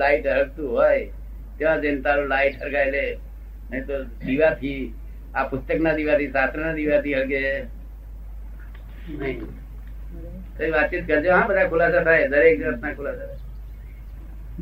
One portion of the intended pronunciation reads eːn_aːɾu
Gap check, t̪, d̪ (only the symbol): t̪